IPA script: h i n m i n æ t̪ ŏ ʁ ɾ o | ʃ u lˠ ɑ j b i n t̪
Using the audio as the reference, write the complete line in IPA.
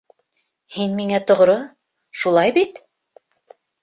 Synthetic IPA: h i n m i ŋ æ t̪ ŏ ʁ ɾ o | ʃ u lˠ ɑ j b i t̪